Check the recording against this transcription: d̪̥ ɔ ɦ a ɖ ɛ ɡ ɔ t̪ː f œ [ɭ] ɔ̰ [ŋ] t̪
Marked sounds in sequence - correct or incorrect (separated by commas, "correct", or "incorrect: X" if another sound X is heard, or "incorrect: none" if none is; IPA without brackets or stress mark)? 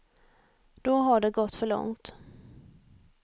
correct, correct